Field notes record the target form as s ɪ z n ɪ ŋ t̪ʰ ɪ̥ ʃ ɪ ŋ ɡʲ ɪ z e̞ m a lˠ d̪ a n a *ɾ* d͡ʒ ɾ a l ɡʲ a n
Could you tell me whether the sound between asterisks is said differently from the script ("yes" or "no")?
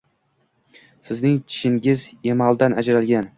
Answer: yes